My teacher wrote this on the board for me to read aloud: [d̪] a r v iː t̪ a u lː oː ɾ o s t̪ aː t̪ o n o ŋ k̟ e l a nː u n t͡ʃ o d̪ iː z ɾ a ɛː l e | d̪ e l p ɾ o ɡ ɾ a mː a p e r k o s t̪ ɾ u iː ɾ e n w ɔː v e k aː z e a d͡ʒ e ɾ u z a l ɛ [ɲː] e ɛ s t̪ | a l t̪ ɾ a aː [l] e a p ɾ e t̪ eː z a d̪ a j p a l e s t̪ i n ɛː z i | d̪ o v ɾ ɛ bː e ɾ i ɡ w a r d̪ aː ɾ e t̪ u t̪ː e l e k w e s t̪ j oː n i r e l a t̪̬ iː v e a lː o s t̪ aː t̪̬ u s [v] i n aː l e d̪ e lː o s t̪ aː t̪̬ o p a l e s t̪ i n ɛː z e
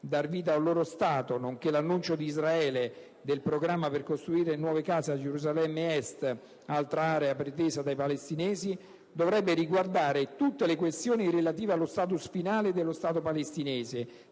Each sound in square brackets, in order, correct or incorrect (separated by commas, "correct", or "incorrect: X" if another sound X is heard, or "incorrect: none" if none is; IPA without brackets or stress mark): correct, incorrect: mː, incorrect: ɾ, incorrect: f